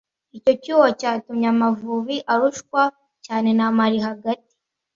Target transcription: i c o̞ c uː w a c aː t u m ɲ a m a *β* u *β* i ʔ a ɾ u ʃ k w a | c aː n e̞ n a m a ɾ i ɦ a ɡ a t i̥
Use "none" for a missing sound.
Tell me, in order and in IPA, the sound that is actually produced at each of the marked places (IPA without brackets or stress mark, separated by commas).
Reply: v, β